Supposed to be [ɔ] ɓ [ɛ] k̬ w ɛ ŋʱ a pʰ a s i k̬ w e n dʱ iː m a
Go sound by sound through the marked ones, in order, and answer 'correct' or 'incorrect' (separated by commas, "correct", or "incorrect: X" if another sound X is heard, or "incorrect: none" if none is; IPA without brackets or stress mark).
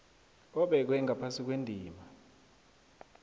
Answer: correct, correct